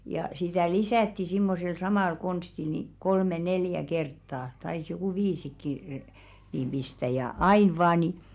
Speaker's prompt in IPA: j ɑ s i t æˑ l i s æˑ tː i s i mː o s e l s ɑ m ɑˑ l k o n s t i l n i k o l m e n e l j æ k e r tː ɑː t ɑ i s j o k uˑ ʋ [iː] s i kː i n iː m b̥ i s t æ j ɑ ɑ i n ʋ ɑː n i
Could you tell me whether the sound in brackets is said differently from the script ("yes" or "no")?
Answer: no